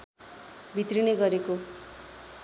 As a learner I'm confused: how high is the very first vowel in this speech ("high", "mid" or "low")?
high